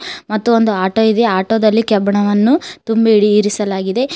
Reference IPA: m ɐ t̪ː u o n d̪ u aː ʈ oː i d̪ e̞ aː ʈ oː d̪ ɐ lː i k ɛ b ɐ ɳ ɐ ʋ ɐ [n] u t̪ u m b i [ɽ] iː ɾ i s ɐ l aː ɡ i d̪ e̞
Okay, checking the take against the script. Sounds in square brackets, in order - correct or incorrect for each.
incorrect, correct

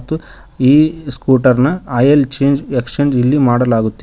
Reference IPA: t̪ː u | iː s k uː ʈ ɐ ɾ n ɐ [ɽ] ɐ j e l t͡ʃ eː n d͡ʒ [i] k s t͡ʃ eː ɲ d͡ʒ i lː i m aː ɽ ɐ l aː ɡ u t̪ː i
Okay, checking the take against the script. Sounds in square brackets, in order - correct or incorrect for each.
incorrect, incorrect

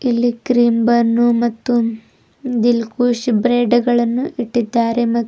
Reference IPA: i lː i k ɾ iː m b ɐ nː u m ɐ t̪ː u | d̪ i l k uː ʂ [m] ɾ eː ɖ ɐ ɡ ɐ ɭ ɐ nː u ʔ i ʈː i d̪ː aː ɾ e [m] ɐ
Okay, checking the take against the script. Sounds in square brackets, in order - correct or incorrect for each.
incorrect, correct

